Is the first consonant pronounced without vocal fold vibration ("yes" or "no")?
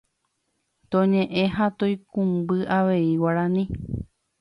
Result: yes